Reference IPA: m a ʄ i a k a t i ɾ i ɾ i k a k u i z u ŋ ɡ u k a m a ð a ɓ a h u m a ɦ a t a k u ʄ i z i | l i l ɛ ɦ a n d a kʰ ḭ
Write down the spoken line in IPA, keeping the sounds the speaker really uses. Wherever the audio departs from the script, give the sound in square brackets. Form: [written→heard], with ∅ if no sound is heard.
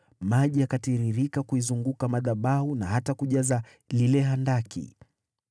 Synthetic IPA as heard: m a ʄ i a k a t i ɾ i ɾ i k a k u i z u ŋ ɡ u k a m a ð a ɓ a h u [m→n] a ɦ a t a k u ʄ [i→a] z [i→a] | l i l ɛ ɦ a n d a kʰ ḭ